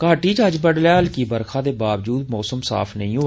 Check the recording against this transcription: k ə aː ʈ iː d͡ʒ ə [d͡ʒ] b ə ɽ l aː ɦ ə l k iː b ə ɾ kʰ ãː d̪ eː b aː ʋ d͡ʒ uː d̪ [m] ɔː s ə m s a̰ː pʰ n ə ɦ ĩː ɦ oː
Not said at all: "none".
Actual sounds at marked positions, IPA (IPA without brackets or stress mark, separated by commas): d͡ʒ, m